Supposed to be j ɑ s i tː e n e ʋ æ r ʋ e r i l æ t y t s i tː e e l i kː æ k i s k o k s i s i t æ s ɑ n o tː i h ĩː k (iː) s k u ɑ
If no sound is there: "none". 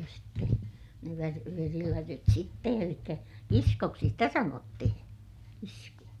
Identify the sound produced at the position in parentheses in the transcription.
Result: i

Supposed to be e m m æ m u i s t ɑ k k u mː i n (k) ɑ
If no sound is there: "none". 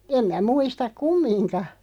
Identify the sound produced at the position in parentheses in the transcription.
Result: k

